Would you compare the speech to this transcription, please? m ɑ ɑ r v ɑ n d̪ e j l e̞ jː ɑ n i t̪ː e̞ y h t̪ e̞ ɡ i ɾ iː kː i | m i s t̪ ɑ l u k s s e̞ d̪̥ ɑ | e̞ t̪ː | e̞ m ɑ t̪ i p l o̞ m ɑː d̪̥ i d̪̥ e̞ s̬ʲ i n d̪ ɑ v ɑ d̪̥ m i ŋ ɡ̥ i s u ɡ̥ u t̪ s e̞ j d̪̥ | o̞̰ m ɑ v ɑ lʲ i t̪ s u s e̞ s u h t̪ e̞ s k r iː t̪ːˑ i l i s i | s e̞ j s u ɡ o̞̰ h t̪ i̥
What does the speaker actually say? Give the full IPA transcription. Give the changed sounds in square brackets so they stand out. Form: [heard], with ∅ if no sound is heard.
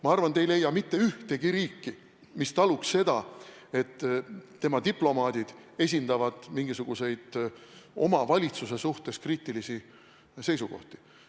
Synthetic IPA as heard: m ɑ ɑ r v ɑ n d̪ e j l e̞ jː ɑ [m] i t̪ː e̞ y h t̪ e̞ ɡ i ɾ iː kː i | m i s t̪ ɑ l u k s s e̞ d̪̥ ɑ | e̞ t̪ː | e̞ m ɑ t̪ i p l o̞ m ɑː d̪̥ i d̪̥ e̞ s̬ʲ i n d̪ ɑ v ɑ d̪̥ m i ŋ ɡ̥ i s u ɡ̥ u [∅] s e̞ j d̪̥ | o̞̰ m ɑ v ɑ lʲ i t̪ s u s e̞ s u h t̪ e̞ s k r iː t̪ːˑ i l i s i | s e̞ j s u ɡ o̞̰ h t̪ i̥